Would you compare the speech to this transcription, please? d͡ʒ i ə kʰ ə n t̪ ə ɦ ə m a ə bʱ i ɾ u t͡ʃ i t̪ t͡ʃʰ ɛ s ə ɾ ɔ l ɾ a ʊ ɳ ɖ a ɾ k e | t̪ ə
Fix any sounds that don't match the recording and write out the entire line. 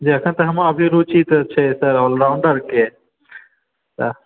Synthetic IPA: d͡ʒ i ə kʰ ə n t̪ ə ɦ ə m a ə bʱ i ɾ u t͡ʃ i t̪ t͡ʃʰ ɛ s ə ɾ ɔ l ɾ a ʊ ɳ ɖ ə ɾ k e | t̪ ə

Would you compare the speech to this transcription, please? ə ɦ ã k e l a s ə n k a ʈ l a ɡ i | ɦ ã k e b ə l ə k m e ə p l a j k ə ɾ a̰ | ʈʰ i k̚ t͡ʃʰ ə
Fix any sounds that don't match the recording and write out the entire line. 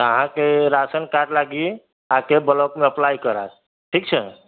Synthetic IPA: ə ɦ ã k e ɾ a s ə n k a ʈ l a ɡ i | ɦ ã k e b ə l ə k m e ə p l a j k ə ɾ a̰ | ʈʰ i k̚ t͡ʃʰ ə

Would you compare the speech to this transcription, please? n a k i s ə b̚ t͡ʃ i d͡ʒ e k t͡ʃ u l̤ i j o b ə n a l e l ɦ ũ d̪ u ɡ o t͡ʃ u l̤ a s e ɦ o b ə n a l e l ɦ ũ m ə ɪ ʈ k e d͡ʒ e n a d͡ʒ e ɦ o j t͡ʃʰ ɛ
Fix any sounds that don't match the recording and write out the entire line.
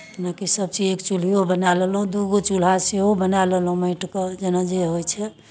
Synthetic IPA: n a k i s ə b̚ t͡ʃ i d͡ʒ e k t͡ʃ u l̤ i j o b ə n a l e l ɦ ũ d̪ u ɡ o t͡ʃ u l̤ a s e ɦ o b ə n a l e l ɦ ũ m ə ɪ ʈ k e d͡ʒ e n a d͡ʒ e ɦ o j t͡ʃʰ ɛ

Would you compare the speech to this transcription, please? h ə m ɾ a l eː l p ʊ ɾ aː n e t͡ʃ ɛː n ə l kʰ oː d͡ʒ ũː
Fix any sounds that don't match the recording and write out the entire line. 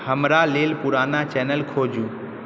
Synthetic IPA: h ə m ɾ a l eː l p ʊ ɾ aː n a t͡ʃ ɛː n ə l kʰ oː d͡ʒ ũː

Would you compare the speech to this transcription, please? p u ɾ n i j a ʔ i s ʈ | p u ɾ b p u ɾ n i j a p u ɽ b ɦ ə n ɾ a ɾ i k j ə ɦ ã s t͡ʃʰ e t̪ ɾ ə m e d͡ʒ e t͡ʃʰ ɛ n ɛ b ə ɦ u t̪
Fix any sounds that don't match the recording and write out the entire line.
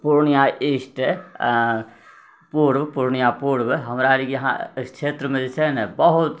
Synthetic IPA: p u ɾ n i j a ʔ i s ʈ | p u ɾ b p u ɾ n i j a p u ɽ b ɦ ə m ɾ a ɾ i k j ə ɦ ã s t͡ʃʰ e t̪ ɾ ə m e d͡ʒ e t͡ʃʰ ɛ n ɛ b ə ɦ u t̪

